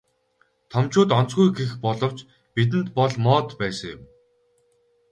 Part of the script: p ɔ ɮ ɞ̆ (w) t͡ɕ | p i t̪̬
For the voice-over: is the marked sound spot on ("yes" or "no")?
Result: yes